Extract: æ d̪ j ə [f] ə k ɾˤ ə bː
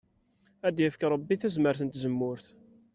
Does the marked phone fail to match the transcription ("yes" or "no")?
no